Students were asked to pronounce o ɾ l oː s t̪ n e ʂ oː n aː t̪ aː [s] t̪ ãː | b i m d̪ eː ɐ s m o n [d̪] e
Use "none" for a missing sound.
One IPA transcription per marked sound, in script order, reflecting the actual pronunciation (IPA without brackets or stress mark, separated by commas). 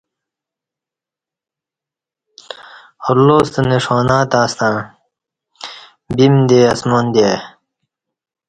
s, d̪